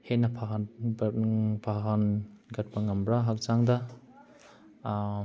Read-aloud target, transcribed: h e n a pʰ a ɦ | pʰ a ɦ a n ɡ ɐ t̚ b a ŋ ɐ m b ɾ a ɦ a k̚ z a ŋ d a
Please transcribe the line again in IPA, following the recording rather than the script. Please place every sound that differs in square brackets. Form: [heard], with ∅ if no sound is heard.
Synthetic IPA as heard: h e n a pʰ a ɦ | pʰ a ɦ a n ɡ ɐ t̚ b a ŋ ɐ m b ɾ a ɦ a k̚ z a ŋ d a